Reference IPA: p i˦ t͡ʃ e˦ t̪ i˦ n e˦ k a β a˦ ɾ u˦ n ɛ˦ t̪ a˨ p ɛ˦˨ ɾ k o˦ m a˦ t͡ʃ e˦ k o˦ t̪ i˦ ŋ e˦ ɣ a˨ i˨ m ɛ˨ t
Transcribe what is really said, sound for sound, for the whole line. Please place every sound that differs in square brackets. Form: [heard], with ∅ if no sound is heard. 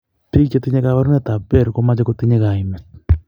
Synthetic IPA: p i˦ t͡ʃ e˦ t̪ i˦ [ɲ] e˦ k a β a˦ ɾ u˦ n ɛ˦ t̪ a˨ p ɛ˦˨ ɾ k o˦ m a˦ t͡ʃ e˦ k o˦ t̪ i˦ [ɲ] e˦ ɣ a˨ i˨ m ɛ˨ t